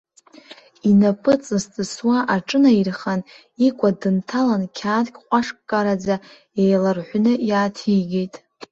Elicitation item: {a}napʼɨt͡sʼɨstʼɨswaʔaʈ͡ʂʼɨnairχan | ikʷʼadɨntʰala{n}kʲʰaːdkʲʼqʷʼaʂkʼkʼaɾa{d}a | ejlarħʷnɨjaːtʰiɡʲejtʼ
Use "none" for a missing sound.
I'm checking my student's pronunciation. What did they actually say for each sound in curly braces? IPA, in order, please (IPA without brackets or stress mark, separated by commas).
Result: i, n, d͡z